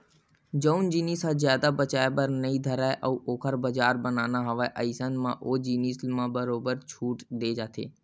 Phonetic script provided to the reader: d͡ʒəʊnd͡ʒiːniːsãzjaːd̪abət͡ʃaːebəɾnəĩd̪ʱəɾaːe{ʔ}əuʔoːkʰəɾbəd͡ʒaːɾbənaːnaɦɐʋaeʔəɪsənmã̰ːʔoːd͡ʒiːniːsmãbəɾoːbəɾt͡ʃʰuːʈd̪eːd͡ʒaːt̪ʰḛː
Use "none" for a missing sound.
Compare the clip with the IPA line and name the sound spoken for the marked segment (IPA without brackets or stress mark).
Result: ʔ